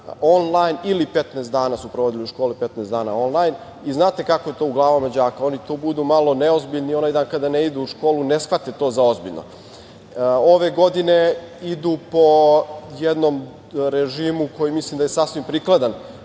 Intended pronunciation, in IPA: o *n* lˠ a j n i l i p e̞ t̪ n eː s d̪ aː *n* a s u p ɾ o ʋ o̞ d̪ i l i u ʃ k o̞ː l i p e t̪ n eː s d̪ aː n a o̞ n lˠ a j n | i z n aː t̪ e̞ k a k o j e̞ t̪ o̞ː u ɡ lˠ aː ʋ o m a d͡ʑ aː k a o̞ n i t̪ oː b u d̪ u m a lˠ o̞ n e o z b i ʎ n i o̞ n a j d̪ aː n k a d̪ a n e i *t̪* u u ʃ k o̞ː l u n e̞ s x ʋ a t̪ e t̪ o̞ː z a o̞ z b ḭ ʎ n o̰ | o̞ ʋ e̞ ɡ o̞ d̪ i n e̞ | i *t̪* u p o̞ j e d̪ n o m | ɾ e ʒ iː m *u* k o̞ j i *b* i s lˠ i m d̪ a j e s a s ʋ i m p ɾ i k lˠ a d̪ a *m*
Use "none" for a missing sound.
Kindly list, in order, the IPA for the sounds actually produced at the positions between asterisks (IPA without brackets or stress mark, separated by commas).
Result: n, n, d̪, d̪, u, m, n